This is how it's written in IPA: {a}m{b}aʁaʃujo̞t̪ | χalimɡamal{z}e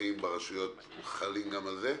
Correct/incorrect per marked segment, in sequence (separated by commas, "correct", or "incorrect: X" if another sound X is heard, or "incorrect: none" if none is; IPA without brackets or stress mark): incorrect: i, correct, correct